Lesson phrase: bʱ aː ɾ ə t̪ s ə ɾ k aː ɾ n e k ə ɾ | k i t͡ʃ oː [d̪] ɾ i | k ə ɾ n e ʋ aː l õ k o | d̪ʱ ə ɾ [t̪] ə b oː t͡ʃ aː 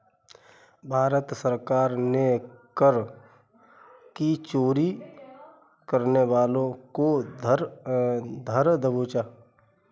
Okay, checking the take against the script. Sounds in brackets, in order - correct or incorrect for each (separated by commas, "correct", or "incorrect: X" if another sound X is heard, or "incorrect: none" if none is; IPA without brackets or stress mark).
incorrect: none, incorrect: d̪